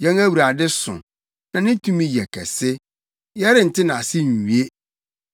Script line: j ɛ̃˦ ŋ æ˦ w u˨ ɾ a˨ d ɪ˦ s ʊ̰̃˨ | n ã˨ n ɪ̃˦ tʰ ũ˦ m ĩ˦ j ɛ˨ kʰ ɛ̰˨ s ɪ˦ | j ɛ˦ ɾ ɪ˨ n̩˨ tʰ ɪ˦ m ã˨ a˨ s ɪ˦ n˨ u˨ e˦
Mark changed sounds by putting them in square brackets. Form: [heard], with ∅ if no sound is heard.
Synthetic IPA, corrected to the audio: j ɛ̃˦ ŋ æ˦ w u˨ ɾ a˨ d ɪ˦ s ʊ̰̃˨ | n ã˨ n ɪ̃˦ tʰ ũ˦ m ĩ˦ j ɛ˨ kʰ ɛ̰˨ s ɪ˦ | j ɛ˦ ɾ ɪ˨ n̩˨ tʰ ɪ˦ [n] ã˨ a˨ s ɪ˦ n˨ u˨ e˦